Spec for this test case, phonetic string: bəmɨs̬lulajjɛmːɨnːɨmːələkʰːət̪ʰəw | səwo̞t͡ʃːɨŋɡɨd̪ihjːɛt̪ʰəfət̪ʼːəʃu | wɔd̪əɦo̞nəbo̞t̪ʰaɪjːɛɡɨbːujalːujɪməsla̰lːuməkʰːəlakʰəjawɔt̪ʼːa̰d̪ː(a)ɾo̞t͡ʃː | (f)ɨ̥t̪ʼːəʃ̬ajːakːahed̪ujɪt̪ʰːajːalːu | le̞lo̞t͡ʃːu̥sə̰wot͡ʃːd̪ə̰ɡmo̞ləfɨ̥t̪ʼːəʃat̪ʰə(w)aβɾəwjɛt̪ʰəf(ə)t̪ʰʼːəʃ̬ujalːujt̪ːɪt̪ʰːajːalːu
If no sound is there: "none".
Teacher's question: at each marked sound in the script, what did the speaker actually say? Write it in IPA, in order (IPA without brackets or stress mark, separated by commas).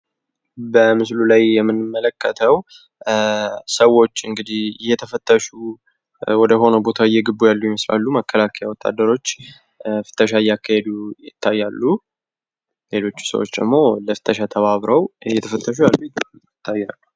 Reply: ə, f, β, ə